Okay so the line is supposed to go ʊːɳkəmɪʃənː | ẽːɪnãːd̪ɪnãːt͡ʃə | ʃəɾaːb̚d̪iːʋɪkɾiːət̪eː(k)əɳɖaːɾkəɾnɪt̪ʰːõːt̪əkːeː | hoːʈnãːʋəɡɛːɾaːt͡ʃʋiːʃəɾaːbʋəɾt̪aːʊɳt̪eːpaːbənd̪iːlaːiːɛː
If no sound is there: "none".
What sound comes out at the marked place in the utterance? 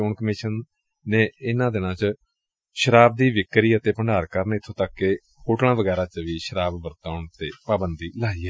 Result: p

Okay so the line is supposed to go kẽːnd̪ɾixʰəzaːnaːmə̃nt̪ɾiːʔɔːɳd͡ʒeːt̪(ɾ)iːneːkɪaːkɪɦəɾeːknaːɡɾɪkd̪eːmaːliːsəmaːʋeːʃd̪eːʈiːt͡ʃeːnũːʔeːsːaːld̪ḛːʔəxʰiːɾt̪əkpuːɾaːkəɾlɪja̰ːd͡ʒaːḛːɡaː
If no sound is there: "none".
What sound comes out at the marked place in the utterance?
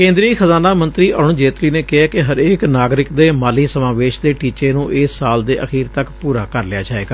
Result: l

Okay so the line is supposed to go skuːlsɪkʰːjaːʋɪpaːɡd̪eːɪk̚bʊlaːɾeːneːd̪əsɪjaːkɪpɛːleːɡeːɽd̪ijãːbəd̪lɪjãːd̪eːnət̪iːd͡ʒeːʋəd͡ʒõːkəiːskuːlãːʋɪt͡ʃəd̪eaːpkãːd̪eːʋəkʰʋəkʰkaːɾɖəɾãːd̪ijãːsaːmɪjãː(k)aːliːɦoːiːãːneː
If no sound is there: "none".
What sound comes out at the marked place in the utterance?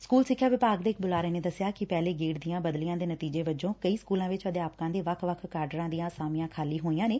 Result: kʰ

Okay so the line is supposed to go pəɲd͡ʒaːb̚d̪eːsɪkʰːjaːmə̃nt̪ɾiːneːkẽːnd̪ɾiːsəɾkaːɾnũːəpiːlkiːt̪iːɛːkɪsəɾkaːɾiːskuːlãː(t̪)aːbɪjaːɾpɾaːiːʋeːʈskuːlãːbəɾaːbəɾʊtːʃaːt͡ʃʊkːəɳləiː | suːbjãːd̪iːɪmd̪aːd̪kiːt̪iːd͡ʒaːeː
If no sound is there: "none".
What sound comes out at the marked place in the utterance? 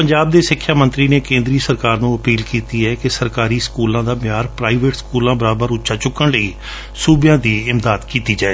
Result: d̪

